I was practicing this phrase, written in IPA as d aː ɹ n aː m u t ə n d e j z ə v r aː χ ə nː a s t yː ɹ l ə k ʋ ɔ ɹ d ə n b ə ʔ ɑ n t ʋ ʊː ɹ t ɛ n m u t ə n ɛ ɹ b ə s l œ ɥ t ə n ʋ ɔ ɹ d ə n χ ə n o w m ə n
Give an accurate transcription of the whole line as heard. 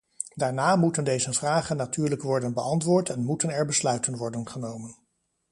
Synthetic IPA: d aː ɹ n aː m u t ə n d e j z ə v r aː χ ə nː a t yː ɹ l ə k ʋ ɔ ɹ d ə n b ə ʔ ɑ n t ʋ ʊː ɹ t ɛ n m u t ə n ɛ ɹ b ə s l œ ɥ t ə n ʋ ɔ ɹ d ə n χ ə n o w m ə n